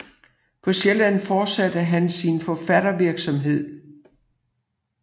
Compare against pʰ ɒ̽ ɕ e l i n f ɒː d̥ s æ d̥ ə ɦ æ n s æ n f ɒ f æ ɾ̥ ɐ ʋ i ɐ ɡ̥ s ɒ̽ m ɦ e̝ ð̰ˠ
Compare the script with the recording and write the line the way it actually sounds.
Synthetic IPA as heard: pʰ ɒ̽ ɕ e l æ n f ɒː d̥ s æ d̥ ə ɦ æ n s i n f ɒ f æ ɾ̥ ɐ ʋ i ɐ ɡ̥ s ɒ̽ m ɦ e̝ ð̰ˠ